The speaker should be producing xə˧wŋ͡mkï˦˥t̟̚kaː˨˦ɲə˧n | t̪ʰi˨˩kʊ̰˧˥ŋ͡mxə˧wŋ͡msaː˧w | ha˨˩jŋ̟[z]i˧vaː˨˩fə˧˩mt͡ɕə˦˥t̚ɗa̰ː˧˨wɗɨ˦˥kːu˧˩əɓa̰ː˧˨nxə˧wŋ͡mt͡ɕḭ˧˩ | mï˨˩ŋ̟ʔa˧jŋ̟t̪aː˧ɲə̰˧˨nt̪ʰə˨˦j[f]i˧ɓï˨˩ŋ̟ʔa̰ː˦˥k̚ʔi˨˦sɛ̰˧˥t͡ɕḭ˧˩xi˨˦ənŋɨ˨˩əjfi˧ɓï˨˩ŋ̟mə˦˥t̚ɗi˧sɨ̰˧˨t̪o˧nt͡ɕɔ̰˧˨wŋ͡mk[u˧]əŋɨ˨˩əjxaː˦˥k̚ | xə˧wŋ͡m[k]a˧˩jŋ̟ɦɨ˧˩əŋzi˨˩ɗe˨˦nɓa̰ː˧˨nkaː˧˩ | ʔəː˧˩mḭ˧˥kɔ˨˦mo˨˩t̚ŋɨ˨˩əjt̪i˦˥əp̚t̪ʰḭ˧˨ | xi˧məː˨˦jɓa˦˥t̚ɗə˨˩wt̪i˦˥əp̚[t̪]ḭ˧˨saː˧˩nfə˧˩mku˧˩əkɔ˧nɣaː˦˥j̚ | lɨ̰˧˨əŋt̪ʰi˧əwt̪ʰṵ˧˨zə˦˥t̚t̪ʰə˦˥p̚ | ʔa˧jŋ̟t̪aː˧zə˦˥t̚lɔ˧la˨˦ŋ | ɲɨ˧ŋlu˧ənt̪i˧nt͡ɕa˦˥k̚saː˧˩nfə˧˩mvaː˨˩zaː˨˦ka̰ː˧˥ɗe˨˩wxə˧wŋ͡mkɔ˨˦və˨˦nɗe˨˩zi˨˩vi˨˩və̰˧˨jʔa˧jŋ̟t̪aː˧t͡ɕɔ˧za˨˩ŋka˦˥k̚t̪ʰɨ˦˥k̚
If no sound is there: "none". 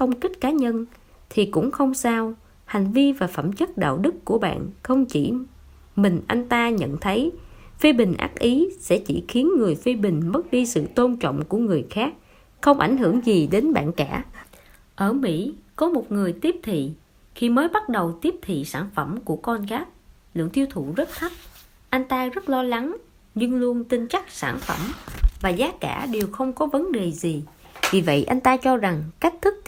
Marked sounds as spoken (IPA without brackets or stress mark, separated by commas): v, f, u˧˩, ʔ, t̪ʰ